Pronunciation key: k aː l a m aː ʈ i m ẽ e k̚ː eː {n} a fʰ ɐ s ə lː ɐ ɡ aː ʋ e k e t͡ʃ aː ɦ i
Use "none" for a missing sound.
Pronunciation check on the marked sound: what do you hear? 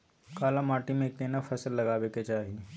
n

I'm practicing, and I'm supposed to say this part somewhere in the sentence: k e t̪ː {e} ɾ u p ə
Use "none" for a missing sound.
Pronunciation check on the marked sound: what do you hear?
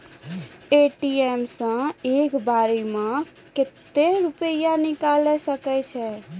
e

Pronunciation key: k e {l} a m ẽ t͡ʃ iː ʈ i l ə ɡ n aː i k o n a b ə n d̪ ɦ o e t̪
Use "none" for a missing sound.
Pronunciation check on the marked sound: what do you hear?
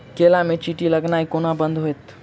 l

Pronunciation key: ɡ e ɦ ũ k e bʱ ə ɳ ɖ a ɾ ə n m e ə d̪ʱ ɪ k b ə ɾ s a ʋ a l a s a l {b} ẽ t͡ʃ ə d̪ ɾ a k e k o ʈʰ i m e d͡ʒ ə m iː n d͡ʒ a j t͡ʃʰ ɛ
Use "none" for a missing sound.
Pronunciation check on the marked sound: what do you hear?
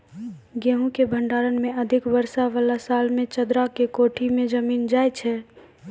m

